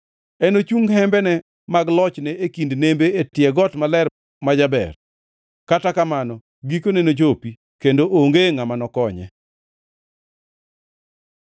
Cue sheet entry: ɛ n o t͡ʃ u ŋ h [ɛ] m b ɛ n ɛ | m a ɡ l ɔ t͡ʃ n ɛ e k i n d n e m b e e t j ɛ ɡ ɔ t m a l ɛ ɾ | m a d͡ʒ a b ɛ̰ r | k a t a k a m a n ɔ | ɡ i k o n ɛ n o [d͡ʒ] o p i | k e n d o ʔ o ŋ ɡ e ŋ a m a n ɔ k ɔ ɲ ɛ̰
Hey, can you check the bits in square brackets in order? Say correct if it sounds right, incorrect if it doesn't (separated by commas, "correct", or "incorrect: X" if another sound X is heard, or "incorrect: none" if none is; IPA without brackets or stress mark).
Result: correct, correct